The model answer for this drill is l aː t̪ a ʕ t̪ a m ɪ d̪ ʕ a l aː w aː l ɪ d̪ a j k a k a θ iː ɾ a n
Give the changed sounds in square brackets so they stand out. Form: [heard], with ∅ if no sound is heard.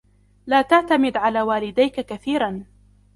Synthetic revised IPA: l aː t̪ a ʕ t̪ a m ɪ d̪ ʕ a l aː w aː l ɪ d̪ a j k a k a θ iː ɾ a n